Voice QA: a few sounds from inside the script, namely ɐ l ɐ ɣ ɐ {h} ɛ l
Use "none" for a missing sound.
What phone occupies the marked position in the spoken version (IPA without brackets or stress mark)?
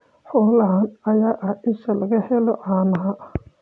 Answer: h